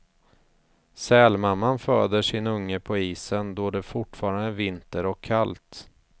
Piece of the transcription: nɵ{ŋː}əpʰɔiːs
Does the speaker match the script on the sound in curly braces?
yes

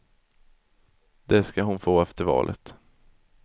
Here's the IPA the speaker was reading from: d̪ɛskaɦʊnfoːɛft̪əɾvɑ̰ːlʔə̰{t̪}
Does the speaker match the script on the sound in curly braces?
yes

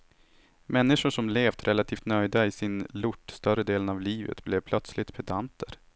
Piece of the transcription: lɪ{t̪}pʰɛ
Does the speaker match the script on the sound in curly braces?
yes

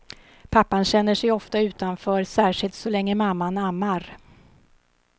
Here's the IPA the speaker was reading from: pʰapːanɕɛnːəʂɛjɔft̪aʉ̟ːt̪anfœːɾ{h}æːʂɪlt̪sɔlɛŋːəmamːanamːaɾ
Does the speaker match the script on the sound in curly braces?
no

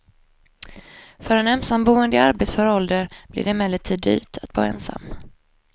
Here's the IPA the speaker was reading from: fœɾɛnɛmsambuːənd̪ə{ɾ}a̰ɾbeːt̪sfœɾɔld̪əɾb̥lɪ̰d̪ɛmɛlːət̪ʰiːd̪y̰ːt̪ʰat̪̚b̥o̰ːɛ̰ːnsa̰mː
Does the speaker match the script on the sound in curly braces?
no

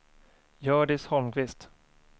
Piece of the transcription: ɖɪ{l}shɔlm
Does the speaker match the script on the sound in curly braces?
no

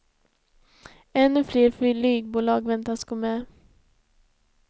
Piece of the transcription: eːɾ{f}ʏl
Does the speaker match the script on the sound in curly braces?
yes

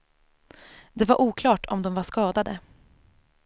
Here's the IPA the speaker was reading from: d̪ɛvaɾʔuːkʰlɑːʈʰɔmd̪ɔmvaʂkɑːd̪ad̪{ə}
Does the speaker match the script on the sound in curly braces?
yes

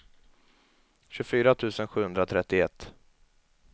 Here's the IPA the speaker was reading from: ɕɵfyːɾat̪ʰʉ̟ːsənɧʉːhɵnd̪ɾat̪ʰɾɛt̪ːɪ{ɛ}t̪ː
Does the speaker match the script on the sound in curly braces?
yes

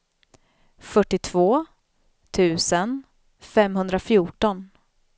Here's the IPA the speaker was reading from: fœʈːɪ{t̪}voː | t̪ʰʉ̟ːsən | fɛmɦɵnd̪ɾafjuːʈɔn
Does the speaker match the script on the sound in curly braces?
no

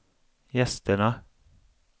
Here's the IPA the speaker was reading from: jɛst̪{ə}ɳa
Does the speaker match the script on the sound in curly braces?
yes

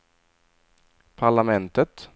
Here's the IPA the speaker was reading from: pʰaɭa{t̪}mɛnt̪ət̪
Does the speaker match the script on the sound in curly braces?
no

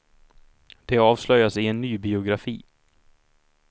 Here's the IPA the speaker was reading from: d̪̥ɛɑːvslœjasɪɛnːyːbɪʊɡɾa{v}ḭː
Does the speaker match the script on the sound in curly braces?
no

